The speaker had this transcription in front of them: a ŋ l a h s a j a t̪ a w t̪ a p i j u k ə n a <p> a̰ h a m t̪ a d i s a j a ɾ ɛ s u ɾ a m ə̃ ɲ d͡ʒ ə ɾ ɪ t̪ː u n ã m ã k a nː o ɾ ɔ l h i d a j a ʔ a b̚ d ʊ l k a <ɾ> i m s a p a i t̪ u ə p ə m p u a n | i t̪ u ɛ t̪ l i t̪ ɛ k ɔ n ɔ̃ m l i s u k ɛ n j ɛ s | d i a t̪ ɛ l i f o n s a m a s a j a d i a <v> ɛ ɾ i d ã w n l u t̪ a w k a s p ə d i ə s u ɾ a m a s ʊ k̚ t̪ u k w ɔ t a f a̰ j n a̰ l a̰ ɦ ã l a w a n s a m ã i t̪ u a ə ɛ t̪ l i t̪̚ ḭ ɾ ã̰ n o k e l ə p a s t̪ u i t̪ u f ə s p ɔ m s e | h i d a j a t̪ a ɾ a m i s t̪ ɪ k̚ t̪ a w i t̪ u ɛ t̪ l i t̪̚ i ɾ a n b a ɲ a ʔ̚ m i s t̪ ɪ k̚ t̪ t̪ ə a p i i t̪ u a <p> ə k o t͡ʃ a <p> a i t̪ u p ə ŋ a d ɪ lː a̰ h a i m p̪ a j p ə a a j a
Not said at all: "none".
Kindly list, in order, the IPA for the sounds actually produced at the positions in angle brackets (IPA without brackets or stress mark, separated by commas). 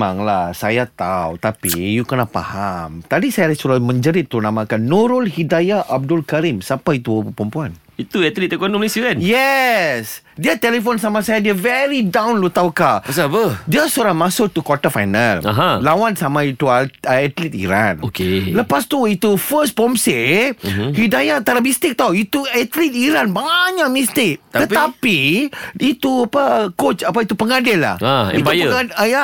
p, ɾ, v, p, p